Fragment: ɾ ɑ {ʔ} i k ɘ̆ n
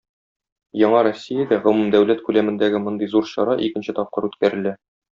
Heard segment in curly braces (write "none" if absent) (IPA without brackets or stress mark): ʔ